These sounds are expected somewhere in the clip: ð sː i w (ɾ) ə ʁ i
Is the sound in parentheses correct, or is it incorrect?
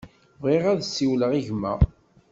incorrect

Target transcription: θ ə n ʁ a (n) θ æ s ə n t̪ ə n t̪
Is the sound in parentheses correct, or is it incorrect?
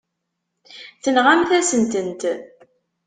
incorrect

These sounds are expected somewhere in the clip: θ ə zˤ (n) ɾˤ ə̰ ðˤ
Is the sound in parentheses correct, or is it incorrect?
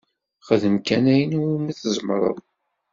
incorrect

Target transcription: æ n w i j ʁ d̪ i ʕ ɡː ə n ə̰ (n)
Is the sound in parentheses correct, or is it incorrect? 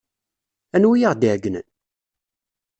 correct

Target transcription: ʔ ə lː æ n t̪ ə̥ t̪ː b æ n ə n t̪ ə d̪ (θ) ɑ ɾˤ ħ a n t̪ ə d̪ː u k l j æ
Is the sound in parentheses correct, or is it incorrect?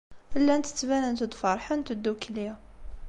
incorrect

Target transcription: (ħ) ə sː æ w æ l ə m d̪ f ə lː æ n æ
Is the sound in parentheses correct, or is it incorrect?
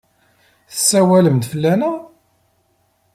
incorrect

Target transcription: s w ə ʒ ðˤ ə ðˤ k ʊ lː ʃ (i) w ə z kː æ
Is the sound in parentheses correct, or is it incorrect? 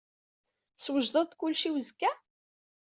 correct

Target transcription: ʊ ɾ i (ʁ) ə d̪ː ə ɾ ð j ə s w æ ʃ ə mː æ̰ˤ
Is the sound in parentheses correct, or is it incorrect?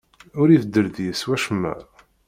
incorrect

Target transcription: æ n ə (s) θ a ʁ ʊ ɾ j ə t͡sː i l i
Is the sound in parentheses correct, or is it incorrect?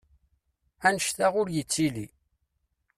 incorrect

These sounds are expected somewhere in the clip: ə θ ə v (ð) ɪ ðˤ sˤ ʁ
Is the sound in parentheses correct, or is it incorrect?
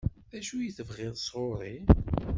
incorrect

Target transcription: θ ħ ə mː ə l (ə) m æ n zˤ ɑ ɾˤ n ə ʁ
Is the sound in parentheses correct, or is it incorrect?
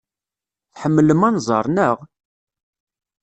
correct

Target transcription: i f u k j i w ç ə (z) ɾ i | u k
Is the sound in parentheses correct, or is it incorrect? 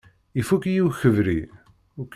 incorrect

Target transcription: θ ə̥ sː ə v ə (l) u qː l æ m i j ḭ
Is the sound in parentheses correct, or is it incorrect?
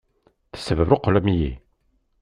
incorrect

